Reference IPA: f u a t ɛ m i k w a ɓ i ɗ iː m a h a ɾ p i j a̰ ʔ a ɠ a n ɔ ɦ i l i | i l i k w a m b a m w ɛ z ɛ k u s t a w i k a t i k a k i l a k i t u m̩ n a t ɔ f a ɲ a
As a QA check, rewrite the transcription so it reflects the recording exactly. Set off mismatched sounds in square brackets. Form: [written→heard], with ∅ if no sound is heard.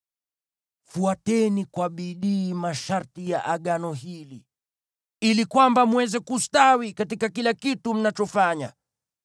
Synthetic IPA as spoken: f u a t ɛ [m→n] i k w a ɓ i ɗ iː m a [h→ʃ] a ɾ [p→t] i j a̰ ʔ a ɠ a n ɔ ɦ i l i | i l i k w a m b a m w ɛ z ɛ k u s t a w i k a t i k a k i l a k i t u m̩ n a [t→t͡ʃ] ɔ f a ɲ a

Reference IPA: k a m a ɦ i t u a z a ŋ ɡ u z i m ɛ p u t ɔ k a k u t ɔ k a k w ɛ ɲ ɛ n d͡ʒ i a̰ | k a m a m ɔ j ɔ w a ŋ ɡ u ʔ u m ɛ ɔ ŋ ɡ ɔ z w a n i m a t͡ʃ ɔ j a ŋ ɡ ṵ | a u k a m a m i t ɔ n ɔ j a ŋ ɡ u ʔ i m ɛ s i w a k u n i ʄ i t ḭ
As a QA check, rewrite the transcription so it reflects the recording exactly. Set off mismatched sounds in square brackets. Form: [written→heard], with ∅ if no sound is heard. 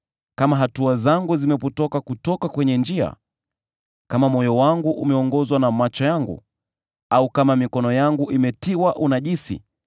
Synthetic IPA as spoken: k a m a ɦ [i→a] t u a z a ŋ ɡ u z i m ɛ p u t ɔ k a k u t ɔ k a k w ɛ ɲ ɛ n d͡ʒ i a̰ | k a m a m ɔ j ɔ w a ŋ ɡ u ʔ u m ɛ ɔ ŋ ɡ ɔ z w a n [i→a] m a t͡ʃ ɔ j a ŋ ɡ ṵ | a u k a m a m i [t→k] ɔ n ɔ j a ŋ ɡ u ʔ i m ɛ [s→t] i w a [k→ʔ] u n [i→a] ʄ i [t→s] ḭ

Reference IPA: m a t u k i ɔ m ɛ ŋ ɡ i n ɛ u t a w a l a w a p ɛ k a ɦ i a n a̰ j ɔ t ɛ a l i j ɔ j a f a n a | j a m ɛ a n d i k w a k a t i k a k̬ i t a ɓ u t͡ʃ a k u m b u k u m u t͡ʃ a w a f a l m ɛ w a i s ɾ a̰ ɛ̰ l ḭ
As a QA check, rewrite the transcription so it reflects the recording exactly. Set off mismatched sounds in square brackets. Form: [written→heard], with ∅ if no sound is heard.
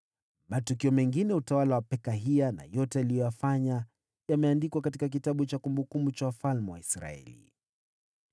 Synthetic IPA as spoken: m a t u k i ɔ m ɛ ŋ ɡ i n ɛ u t a w a l a w a p ɛ k a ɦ i a n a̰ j ɔ t ɛ a l i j ɔ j a f a [n→ɲ] a | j a m ɛ a n d i k w a k a t i k a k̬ i t a ɓ u t͡ʃ a k u m b u k u m u t͡ʃ a w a f a l m ɛ w a i s ɾ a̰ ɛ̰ l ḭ

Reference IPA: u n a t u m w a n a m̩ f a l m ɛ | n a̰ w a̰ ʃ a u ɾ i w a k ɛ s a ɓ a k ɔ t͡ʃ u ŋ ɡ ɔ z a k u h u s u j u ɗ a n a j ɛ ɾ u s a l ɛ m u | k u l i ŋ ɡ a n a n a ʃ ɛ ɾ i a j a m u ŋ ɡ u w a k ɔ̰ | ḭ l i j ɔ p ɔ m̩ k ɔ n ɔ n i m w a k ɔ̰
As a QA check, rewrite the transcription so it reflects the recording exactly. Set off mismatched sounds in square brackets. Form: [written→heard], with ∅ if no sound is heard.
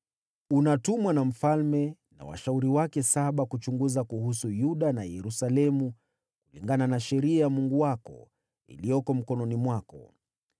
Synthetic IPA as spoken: u n a t u m w a n a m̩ f a l m ɛ | n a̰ w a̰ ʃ a u ɾ i w a k ɛ s a ɓ a k [ɔ→u] t͡ʃ u ŋ ɡ [ɔ→u] z a k u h u s u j u ɗ a n a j ɛ ɾ u s a l ɛ m u | k u l i ŋ ɡ a n a n a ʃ ɛ ɾ i a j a m u ŋ ɡ u w a k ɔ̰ | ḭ l i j ɔ [p→k] ɔ m̩ k ɔ n ɔ n i m w a k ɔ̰

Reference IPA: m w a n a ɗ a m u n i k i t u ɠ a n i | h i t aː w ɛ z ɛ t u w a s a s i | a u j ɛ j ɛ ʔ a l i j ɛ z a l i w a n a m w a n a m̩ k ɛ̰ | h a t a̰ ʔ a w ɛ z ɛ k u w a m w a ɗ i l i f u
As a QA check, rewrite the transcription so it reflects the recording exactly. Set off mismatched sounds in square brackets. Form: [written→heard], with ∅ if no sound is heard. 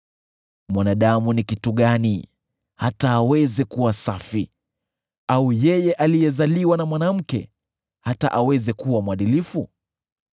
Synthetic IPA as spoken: m w a n a ɗ a m u n i k i t u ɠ a n i | h [i→a] t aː w ɛ z ɛ [t→k] u w a s a [s→f] i | a u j ɛ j ɛ ʔ a l i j ɛ z a l i w a n a m w a n a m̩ k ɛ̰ | h a t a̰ ʔ a w ɛ z ɛ k u w a m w a ɗ i l i f u

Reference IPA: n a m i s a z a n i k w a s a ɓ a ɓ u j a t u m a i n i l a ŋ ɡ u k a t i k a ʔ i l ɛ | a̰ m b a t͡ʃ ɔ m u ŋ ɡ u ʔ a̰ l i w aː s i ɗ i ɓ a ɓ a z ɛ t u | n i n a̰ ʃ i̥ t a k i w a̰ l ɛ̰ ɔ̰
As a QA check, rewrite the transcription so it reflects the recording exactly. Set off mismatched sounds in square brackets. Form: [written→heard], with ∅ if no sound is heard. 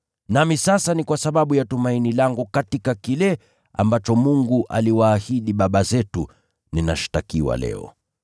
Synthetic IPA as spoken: n a m i s a [z→s] a n i k w a s a ɓ a ɓ u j a t u m a i n i l a ŋ ɡ u k a t i k a [ʔ→k] i l ɛ | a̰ m b a t͡ʃ ɔ m u ŋ ɡ u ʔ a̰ l i w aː [s→h] i ɗ i ɓ a ɓ a z ɛ t u | n i n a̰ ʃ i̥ t a k i w a̰ l ɛ̰ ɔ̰

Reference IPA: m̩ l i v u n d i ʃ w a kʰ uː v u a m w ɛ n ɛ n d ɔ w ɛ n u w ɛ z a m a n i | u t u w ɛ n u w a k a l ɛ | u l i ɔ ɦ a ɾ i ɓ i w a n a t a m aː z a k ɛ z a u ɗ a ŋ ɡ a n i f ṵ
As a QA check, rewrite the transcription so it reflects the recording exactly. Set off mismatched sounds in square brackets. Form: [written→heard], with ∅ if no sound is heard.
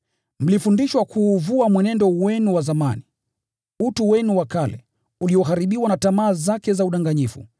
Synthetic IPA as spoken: m̩ l i [v→f] u n d i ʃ w a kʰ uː v u a m w ɛ n ɛ n d ɔ w ɛ n u w [ɛ→a] z a m a n i | u t u w ɛ n u w a k a l ɛ | u l i ɔ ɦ a ɾ i ɓ i w a n a t a m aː z a k ɛ z a u ɗ a ŋ ɡ a [n→ɲ] i f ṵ

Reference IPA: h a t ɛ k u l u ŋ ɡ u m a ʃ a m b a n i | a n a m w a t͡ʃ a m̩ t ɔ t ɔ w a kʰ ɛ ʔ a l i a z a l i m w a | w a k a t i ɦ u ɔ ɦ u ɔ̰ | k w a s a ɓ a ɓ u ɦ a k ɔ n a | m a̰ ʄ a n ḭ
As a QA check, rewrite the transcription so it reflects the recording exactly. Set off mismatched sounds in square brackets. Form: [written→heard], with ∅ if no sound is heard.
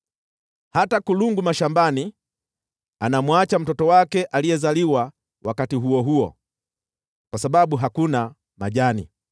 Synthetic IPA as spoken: h a t [ɛ→a] k u l u ŋ ɡ u m a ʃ a m b a n i | a n a m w a t͡ʃ a m̩ t ɔ t ɔ w a [kʰ→k] ɛ ʔ a l i [a→ɛ] z a l i [m→∅] w a | w a k a t i ɦ u ɔ ɦ u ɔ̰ | k w a s a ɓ a ɓ u ɦ a k [ɔ→u] n a | m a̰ ʄ a n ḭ

